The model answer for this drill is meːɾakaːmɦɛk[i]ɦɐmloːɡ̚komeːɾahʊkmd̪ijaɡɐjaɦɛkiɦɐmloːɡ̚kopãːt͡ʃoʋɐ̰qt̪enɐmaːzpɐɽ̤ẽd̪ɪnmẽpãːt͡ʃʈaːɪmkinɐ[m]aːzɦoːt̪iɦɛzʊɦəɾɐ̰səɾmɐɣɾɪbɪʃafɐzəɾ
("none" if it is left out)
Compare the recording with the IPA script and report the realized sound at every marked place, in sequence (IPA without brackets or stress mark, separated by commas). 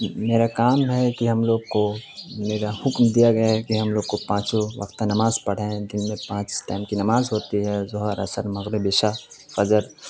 i, m